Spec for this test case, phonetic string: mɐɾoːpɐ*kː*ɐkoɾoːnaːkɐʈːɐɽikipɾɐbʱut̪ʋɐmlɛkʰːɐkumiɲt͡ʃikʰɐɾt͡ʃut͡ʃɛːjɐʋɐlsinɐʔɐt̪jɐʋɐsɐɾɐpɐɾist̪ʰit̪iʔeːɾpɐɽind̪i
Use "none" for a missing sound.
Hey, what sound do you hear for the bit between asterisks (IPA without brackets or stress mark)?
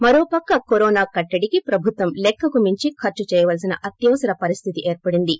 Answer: kː